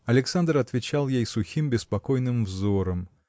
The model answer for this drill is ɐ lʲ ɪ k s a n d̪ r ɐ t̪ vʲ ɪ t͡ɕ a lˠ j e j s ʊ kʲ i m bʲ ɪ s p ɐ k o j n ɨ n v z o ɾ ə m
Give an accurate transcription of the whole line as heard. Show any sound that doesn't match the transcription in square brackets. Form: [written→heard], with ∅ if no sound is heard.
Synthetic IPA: ɐ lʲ ɪ k s a n d̪ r ɐ t̪ vʲ ɪ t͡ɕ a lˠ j e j s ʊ [kʲ→xʲ] i m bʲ ɪ s p ɐ k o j n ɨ [n→m] v z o ɾ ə m